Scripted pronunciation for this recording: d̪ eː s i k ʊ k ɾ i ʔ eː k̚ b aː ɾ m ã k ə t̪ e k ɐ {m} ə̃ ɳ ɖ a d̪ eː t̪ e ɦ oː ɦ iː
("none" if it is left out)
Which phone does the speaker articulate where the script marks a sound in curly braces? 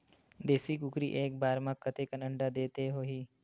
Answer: n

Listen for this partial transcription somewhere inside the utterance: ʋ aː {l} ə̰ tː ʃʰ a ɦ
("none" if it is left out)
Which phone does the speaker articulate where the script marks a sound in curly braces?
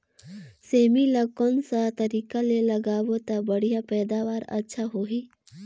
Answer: ɾ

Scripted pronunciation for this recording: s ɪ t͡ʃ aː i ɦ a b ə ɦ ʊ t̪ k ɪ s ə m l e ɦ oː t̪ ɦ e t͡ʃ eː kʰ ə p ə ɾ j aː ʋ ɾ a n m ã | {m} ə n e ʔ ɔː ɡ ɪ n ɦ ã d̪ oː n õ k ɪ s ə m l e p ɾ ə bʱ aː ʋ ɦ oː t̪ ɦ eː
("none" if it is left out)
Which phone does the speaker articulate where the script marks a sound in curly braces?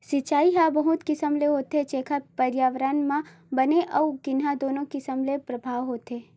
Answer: b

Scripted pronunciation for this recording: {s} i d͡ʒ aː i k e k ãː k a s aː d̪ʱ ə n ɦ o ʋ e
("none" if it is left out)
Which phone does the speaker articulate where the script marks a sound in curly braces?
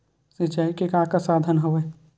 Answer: s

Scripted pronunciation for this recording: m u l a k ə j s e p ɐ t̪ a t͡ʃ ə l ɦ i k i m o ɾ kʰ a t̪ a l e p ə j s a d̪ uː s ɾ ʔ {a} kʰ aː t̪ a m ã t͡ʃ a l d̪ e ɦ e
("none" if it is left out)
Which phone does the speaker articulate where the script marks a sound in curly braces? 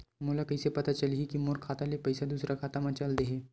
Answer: a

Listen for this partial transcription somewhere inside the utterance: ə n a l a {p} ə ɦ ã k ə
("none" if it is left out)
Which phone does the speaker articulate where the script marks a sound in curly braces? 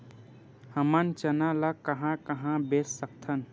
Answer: k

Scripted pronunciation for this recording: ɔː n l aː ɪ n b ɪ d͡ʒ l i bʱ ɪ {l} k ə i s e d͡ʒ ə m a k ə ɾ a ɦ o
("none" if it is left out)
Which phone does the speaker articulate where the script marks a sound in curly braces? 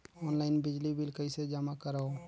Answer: l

